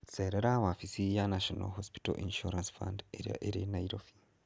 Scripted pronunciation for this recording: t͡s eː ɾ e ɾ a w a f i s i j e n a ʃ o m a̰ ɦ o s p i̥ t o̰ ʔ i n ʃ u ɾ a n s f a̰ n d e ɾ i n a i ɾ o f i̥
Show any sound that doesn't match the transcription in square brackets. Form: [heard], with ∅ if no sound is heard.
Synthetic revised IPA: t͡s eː ɾ e ɾ a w a f i s i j [a] n a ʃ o [n] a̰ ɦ o s p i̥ t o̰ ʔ i n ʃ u ɾ a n s f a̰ n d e ɾ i n a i ɾ o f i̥

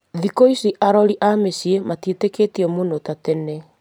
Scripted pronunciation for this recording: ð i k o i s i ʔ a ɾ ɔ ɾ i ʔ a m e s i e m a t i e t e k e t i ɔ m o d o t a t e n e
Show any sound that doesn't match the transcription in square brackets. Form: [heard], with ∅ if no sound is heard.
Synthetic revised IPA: ð i k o i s i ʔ a ɾ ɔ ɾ i ʔ a m e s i e m a t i e t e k e t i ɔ m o [n] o t a t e n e

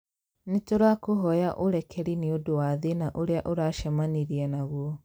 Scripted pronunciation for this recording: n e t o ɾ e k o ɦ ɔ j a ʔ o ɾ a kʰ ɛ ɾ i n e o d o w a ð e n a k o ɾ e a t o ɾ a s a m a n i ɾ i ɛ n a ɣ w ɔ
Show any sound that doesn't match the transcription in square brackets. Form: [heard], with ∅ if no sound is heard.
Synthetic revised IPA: n e t o ɾ [a] k o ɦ ɔ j a ʔ o ɾ [ɛ] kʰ ɛ ɾ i n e o d o w a ð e n a [ʔ] o ɾ e a [ʔ] o ɾ a [ʃ] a m a n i ɾ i ɛ n a ɣ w ɔ

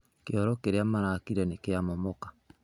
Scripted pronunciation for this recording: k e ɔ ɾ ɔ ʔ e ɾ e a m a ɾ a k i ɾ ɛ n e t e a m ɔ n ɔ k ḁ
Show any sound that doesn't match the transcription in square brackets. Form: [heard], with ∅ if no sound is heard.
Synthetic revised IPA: k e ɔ ɾ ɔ [k] e ɾ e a m a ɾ a k i ɾ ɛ n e [k] e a m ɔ [m] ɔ k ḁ

